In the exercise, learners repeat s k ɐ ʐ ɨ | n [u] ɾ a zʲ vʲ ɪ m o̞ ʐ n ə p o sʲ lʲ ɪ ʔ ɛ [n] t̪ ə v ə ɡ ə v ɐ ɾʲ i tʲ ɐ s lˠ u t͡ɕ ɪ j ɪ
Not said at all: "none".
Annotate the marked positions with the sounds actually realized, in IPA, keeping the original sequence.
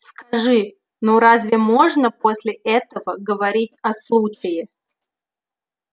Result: o, none

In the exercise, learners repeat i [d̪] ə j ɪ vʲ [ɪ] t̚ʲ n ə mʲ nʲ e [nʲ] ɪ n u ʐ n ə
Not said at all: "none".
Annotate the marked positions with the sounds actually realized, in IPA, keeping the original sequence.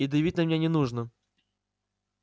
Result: d̪, i, nʲ

